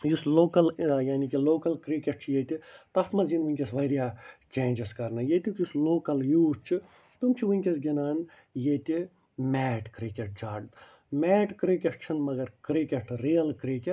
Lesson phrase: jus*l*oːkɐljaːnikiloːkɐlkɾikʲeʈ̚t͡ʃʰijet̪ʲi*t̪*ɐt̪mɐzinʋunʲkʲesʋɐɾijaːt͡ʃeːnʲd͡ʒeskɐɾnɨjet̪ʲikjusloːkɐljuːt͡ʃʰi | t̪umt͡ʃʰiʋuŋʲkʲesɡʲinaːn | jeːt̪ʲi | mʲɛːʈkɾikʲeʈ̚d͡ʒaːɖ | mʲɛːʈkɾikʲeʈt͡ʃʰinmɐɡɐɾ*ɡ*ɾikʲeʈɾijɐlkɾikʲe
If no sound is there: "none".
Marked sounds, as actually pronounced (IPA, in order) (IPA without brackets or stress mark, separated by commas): l, t̪, k